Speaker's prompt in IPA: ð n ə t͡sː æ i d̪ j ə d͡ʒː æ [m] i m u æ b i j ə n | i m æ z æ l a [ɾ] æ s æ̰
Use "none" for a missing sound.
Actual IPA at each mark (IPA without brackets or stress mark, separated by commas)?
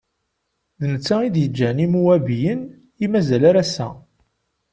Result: n, ɾ